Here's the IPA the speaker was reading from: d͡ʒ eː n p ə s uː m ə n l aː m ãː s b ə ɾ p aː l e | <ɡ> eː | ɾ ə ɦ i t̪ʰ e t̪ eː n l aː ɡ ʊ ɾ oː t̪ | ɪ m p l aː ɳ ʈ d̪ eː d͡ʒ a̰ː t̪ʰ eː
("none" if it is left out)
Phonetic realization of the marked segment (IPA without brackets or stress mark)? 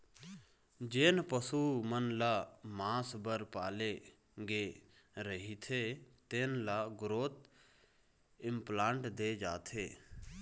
ɡ